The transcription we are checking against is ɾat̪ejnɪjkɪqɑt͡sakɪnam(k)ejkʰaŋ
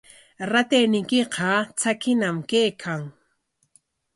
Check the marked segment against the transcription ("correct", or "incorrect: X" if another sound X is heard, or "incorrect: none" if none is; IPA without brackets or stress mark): correct